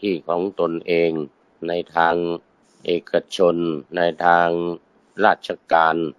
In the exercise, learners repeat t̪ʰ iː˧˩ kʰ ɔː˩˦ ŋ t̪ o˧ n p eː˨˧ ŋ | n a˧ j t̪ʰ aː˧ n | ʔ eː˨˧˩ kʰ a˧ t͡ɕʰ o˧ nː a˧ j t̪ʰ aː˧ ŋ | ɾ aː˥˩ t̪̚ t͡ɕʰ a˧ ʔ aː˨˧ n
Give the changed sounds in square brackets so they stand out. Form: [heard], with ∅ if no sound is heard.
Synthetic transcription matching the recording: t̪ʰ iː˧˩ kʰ ɔː˩˦ ŋ t̪ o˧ n [ʔ] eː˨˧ ŋ | n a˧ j t̪ʰ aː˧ [ŋ] | ʔ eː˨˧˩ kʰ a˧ t͡ɕʰ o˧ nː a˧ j t̪ʰ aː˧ ŋ | ɾ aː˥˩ t̪̚ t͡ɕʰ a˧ [k] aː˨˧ n